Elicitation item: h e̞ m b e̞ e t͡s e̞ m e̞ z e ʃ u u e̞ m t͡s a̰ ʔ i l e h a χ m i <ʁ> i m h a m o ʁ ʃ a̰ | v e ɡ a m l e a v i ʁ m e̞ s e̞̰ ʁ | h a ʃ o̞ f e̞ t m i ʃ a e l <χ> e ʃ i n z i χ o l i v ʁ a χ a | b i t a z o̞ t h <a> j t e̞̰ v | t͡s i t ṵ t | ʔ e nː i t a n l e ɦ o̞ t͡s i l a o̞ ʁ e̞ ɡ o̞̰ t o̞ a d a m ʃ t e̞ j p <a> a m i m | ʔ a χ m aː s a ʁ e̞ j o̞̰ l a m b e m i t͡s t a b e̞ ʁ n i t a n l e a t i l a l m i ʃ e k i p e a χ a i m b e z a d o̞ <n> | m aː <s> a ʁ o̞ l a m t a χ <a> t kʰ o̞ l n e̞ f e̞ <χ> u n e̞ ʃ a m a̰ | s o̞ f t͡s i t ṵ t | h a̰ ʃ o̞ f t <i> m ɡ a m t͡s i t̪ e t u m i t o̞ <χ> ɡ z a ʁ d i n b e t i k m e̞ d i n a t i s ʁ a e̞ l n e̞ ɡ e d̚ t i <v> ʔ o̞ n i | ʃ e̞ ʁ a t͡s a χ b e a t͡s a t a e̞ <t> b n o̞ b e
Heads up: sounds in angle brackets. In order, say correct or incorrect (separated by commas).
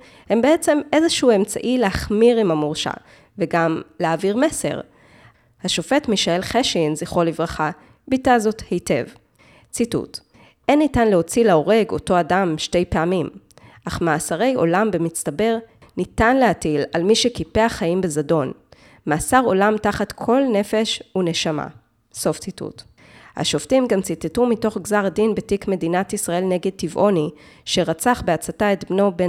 correct, correct, incorrect, incorrect, correct, correct, correct, incorrect, correct, correct, correct, correct